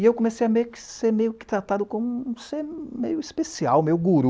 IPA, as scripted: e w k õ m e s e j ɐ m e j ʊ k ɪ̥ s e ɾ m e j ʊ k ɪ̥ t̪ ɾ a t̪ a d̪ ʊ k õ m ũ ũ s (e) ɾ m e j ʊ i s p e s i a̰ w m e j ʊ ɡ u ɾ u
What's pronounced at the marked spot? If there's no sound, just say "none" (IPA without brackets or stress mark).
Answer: e